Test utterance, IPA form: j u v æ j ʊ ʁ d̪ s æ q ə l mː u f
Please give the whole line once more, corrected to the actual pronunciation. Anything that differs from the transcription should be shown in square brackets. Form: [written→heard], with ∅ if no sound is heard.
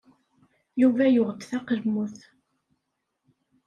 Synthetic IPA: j u v æ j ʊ ʁ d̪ [s→θ] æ q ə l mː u [f→θ]